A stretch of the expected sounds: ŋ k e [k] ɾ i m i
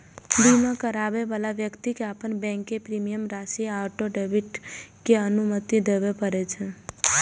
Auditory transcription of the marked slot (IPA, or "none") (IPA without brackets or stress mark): p